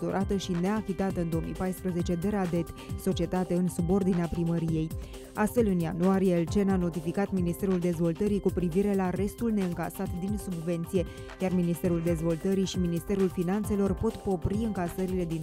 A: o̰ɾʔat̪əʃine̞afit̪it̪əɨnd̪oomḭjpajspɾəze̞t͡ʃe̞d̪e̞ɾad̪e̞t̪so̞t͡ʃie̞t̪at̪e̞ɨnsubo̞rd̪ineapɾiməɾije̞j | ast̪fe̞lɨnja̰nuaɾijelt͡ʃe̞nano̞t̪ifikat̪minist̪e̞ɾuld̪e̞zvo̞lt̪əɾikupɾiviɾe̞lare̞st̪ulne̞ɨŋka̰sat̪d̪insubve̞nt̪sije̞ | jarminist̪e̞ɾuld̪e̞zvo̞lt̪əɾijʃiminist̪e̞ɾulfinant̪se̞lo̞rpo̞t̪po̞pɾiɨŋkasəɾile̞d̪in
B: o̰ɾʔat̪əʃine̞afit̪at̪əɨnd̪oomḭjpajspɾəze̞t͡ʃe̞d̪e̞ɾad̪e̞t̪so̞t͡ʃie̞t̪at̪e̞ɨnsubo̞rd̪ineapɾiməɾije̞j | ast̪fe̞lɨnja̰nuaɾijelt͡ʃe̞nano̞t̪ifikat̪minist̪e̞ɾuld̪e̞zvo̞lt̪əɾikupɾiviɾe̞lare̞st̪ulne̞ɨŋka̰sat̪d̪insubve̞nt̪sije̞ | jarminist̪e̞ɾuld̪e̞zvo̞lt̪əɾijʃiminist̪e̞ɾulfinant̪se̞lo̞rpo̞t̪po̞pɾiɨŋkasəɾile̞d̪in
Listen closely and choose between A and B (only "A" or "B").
B